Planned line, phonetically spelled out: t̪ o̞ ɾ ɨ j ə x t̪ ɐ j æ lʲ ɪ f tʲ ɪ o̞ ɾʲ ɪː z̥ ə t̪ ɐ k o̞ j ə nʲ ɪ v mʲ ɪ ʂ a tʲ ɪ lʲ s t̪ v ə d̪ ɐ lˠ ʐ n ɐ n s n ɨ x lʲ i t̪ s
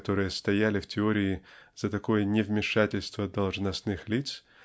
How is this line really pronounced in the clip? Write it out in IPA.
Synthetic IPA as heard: t̪ o̞ ɾ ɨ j ə s t̪ ɐ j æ lʲ ɪ f tʲ ɪ o̞ ɾʲ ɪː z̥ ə t̪ ɐ k o̞ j ə nʲ ɪ v mʲ ɪ ʂ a tʲ ɪ lʲ s t̪ v ə d̪ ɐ lˠ ʐ n ɐ s n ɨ x lʲ i t̪ s